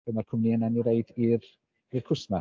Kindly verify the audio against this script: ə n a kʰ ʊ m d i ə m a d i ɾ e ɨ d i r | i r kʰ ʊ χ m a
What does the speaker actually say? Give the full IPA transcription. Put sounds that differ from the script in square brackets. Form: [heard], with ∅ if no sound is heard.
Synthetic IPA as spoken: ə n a kʰ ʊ m [n] i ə [n] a [n] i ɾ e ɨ d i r | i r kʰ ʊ [s] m a